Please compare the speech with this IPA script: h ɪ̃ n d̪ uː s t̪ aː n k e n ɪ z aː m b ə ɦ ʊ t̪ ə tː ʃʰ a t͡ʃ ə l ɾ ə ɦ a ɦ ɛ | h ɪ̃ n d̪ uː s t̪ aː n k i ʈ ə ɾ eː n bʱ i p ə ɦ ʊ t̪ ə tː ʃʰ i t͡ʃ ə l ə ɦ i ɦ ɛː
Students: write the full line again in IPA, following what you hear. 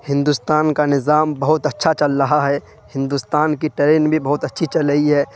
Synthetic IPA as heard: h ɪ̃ n d̪ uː s t̪ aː n k a n ɪ z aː m b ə ɦ ʊ t̪ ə tː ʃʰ a t͡ʃ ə l ɾ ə ɦ a ɦ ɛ | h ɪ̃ n d̪ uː s t̪ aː n k i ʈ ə ɾ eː n bʱ i b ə ɦ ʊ t̪ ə tː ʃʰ i t͡ʃ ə l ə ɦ i ɦ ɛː